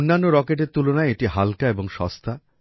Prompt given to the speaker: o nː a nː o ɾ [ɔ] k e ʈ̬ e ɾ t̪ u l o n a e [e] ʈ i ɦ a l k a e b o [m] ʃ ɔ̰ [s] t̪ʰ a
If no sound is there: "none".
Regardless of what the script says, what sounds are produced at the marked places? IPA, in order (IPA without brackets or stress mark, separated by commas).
ɔ, e, ŋ, s